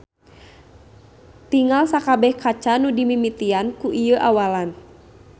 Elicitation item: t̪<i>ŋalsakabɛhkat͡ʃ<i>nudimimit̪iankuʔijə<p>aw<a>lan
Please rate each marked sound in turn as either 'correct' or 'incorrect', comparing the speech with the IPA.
correct, incorrect, incorrect, correct

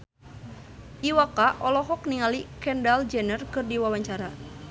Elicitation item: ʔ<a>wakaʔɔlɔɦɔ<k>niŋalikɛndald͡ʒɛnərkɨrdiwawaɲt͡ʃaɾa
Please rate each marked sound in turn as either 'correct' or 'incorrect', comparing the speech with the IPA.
incorrect, correct

